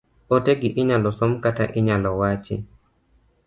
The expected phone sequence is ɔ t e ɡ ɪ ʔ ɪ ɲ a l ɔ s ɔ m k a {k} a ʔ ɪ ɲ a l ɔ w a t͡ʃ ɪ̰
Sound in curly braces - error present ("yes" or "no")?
yes